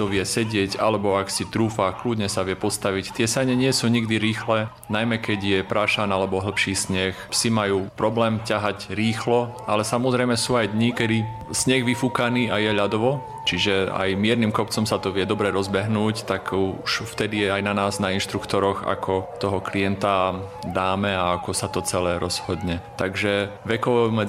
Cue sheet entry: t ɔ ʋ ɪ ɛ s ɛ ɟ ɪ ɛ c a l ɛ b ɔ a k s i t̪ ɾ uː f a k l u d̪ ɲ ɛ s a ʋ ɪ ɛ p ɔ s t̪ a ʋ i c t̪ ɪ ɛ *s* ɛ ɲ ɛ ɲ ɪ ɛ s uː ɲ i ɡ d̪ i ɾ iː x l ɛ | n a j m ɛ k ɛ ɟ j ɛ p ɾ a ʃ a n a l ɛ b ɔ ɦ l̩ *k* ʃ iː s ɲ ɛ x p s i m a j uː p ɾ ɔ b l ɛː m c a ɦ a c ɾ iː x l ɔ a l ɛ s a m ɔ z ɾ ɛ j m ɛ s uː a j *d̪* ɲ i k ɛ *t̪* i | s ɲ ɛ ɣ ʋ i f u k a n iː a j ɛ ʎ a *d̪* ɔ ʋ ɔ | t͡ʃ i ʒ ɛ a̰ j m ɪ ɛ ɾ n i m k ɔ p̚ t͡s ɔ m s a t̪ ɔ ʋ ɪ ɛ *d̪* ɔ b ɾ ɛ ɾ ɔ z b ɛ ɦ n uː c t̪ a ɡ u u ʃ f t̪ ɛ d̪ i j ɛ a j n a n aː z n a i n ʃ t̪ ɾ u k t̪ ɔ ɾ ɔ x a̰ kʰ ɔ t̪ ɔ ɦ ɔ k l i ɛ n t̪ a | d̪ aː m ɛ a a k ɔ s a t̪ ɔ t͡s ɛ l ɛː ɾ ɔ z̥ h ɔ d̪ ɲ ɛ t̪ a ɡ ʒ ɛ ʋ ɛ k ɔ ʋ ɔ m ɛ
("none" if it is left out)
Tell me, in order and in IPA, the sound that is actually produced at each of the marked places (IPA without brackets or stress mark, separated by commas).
s, p, d̪, d̪, d̪, d̪